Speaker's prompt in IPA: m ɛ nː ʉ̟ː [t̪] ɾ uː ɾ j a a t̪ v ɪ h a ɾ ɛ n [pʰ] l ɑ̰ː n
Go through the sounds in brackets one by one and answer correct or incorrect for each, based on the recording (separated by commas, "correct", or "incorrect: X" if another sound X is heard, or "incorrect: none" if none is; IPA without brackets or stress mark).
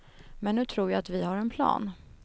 incorrect: t̪ʰ, correct